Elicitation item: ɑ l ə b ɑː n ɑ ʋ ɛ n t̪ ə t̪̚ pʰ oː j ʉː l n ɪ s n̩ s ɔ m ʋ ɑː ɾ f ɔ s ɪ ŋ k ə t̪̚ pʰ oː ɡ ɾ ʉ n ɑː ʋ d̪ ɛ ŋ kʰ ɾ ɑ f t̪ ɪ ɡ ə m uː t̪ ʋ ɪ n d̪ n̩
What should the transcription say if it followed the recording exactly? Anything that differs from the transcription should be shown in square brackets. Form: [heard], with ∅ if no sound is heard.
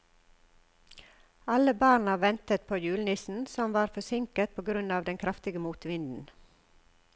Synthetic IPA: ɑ l ə b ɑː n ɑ ʋ ɛ n t̪ ə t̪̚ pʰ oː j ʉː l n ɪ s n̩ s ɔ m ʋ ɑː ɾ f ɔ s ɪ ŋ k ə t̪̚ pʰ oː ɡ ɾ ʉ n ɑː ʋ d̪ ɛ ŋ kʰ ɾ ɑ f t̪ ɪ ɡ ə m uː t̪ ʋ ɪ n d̪ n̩